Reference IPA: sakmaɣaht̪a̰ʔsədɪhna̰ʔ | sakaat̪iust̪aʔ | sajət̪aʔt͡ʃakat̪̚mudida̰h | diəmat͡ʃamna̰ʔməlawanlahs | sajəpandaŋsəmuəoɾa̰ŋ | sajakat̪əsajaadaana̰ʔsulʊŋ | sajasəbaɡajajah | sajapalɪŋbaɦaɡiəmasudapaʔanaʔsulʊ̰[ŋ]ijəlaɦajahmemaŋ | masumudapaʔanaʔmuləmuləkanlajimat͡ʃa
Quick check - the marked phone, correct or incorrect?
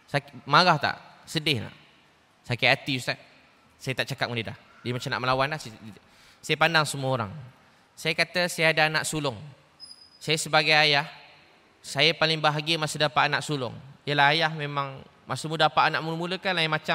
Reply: correct